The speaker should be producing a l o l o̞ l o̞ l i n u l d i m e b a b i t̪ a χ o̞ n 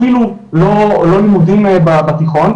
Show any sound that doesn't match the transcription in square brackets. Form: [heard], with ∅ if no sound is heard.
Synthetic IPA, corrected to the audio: [i] l [u] l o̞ l o̞ l i [m] u [∅] d i m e b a b [a] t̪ [i] χ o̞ n